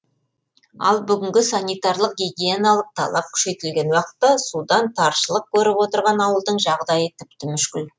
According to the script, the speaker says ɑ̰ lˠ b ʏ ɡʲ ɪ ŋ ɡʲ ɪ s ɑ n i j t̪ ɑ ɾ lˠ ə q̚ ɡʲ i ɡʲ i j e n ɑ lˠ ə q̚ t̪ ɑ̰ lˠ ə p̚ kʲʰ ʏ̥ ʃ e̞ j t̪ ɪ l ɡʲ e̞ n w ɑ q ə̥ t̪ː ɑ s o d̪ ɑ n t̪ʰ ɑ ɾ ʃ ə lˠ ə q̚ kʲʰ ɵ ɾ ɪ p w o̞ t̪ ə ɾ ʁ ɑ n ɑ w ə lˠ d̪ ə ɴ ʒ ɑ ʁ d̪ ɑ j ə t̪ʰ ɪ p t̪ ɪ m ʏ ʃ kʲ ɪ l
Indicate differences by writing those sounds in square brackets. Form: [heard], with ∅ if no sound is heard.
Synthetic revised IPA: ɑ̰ lˠ b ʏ ɡʲ ɪ ŋ ɡʲ ɪ s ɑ n i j t̪ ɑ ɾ lˠ ə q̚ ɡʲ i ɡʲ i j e n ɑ lˠ ə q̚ [t̪ʰ] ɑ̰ lˠ [ɑ] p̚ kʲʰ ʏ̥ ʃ e̞ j t̪ ɪ l ɡʲ e̞ n w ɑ q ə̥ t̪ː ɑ s [u] d̪ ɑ n t̪ʰ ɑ ɾ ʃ ə lˠ ə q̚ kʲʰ ɵ ɾ ɪ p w o̞ t̪ ə ɾ ʁ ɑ n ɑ w ə lˠ d̪ ə ɴ ʒ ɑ ʁ d̪ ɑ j ə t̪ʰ ɪ p t̪ ɪ m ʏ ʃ kʲ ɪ l